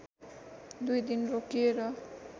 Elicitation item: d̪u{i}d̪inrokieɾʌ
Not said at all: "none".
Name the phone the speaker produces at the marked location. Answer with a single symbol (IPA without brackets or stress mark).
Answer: j